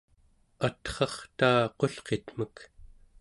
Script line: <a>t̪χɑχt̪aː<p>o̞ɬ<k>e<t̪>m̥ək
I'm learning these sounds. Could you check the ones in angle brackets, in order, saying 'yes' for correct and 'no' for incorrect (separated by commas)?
yes, no, no, yes